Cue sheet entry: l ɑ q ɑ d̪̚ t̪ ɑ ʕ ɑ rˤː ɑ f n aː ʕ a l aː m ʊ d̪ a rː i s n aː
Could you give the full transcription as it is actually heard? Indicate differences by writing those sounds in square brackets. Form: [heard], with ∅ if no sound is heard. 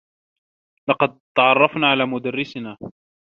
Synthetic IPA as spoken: l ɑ q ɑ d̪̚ t̪ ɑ ʕ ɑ rˤː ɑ f n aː ʕ a l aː m ʊ d̪ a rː [ɪ] s n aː